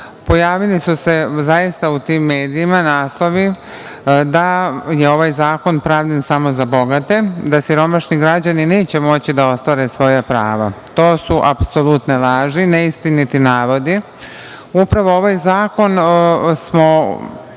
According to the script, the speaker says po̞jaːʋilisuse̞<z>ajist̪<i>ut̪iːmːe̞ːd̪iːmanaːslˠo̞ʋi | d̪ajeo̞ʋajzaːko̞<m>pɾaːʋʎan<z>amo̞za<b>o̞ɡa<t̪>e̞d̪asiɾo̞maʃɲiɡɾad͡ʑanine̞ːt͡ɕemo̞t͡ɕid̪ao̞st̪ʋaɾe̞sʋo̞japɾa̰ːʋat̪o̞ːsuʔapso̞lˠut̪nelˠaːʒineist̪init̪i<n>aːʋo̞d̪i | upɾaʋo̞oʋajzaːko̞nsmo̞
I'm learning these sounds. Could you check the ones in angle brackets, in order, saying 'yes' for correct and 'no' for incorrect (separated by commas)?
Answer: yes, no, no, no, yes, yes, yes